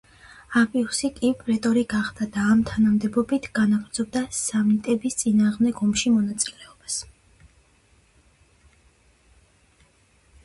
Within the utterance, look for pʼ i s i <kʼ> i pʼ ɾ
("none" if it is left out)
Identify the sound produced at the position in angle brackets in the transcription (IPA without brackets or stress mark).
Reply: kʼ